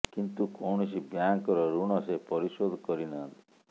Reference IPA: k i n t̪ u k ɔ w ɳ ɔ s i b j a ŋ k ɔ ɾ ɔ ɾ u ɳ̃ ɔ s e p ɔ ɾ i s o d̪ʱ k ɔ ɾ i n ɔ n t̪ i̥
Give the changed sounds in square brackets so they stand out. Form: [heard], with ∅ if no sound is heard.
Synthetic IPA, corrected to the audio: k i n t̪ u k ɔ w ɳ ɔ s i b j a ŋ k ɔ ɾ ɔ ɾ u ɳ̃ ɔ s e p ɔ ɾ i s o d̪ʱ k ɔ ɾ i n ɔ n t̪ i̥